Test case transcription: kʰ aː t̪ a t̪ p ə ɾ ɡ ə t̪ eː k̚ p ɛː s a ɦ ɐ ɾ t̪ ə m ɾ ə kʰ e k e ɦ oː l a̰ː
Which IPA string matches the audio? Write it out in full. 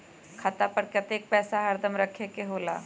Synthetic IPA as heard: kʰ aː t̪ a p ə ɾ k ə t̪ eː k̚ p ɛː s a ɦ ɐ ɾ d̪ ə m ɾ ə kʰ e k e ɦ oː l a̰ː